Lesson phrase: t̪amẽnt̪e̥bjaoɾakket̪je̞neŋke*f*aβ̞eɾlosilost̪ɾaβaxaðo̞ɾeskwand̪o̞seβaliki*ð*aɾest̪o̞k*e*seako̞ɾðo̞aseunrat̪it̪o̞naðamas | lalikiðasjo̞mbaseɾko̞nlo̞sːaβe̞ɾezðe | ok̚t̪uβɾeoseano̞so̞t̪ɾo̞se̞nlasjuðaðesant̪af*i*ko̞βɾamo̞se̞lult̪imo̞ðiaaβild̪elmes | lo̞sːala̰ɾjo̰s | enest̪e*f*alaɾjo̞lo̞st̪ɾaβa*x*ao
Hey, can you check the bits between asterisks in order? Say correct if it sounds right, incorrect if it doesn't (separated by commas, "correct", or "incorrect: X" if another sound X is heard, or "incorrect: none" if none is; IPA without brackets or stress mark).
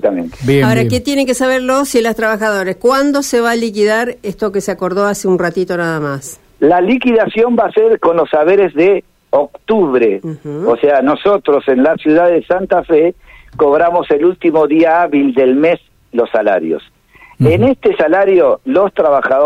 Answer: incorrect: s, correct, correct, incorrect: e, incorrect: s, correct